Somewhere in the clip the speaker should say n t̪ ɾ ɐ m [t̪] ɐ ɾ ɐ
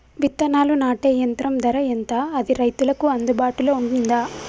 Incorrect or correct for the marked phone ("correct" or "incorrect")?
incorrect